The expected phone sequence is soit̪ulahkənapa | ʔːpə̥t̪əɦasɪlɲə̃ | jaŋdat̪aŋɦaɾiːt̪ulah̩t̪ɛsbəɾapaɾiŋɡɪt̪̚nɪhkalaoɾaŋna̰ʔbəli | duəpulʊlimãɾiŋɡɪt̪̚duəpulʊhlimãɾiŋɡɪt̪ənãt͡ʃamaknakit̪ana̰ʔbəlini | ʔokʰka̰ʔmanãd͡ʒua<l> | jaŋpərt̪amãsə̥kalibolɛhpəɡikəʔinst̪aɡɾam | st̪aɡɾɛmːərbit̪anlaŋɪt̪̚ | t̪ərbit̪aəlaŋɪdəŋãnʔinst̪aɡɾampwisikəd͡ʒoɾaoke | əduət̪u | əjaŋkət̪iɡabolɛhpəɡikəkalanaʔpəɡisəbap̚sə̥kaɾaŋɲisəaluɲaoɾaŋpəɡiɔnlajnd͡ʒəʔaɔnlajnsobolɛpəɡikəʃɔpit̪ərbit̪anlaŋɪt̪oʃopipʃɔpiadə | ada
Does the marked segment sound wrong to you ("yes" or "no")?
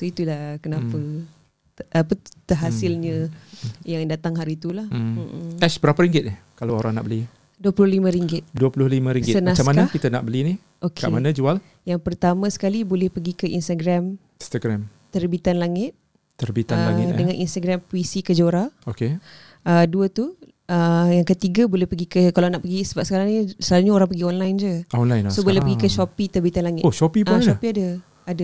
no